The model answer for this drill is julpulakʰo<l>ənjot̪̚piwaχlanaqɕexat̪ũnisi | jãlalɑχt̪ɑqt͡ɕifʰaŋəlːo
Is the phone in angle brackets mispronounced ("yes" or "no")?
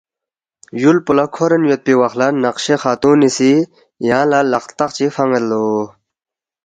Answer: yes